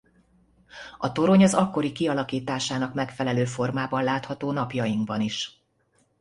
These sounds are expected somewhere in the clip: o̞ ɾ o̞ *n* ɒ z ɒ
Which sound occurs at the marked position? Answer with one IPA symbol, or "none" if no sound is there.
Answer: ɲ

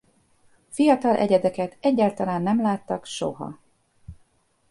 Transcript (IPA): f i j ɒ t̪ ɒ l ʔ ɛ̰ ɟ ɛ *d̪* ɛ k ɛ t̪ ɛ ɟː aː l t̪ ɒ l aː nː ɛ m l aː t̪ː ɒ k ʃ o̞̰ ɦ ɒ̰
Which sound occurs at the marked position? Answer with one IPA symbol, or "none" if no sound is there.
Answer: d̪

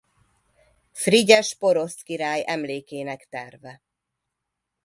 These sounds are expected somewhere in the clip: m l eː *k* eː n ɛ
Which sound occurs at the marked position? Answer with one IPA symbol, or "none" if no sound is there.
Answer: k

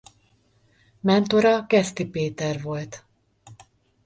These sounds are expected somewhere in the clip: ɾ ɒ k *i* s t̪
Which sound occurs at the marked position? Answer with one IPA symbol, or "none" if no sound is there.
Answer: ɛ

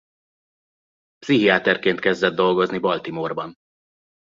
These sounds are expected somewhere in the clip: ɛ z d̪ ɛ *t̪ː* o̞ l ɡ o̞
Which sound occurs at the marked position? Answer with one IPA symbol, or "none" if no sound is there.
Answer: d̪ː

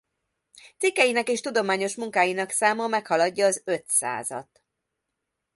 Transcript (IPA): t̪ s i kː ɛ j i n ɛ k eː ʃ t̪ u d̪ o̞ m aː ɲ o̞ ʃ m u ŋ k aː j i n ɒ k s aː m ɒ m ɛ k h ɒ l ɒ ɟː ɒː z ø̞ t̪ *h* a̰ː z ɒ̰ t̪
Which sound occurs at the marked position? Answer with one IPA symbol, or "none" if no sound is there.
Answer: s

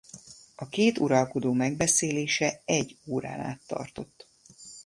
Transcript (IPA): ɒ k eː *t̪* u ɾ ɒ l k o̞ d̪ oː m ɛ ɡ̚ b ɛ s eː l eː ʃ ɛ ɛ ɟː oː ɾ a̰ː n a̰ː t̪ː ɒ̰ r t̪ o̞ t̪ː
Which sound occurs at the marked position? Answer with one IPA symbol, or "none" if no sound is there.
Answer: t̪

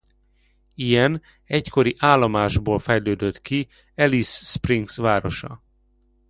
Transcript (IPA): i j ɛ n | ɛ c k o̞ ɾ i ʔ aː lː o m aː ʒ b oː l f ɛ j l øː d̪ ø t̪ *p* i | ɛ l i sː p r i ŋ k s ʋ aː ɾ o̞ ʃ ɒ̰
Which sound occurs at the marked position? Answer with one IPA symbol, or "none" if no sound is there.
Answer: k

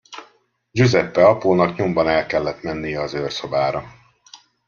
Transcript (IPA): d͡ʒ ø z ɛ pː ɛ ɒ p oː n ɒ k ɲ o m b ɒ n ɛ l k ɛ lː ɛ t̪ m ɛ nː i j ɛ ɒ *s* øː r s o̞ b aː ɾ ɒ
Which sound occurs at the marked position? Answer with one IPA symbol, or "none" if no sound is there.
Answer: z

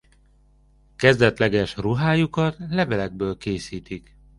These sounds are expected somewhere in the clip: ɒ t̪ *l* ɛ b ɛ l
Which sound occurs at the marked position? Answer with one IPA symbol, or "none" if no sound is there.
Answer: l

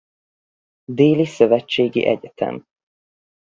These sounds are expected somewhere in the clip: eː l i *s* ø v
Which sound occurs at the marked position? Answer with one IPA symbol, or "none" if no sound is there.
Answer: s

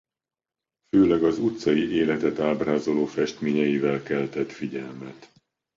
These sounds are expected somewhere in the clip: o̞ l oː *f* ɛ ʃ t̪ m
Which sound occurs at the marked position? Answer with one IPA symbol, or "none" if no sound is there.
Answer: f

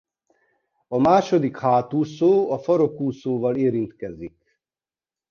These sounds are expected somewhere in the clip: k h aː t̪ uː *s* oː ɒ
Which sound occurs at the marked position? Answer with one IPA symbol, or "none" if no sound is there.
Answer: s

